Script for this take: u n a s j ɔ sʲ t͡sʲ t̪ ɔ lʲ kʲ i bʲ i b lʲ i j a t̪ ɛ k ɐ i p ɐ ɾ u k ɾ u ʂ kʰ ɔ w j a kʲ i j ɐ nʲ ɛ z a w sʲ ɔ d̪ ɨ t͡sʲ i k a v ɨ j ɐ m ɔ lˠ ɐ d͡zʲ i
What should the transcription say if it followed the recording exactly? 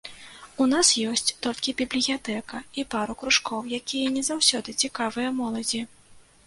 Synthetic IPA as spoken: u n a s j ɔ sʲ t͡sʲ t̪ ɔ lʲ kʲ i bʲ i b lʲ i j a t̪ ɛ k ɐ i p a ɾ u k ɾ u ʂ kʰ ɔ w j a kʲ i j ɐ nʲ ɛ z a w sʲ ɔ d̪ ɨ t͡sʲ i k a v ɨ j ɐ m ɔ lˠ ɐ d͡zʲ i